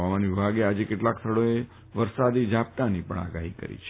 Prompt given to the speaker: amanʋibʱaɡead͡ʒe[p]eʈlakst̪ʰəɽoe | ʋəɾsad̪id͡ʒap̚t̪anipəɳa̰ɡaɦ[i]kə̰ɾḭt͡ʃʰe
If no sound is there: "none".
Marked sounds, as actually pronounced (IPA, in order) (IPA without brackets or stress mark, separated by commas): k, i